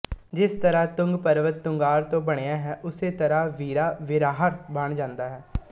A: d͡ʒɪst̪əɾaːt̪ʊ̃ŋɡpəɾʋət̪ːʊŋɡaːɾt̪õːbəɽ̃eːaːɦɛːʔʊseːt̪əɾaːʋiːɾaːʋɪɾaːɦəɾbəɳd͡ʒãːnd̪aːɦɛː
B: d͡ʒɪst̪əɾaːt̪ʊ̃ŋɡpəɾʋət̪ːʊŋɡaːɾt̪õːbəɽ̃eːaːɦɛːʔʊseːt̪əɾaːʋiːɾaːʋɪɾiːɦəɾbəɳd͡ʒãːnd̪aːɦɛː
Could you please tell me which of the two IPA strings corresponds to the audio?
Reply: A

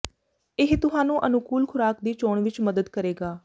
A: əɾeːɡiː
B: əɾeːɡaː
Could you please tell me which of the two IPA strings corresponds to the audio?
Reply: B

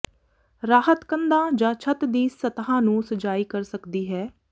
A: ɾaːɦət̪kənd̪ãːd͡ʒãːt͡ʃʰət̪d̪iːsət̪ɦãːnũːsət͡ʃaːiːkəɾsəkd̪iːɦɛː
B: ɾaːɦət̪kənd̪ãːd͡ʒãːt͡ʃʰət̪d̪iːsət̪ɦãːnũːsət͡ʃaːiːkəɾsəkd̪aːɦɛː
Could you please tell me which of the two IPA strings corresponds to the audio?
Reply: A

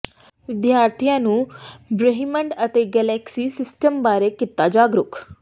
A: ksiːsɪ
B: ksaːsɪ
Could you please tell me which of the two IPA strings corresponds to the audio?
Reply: A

